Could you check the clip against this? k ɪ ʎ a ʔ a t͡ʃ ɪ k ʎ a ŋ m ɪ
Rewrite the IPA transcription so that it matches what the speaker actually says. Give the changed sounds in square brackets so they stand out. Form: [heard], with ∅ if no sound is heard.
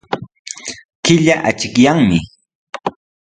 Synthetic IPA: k ɪ ʎ a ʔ a t͡ʃ ɪ k [j] a ŋ m ɪ